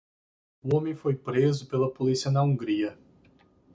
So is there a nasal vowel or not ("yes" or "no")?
yes